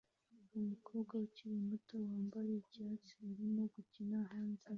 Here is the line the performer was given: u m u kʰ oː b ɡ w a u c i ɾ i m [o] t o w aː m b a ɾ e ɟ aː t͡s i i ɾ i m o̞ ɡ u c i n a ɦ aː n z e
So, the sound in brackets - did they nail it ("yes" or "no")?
no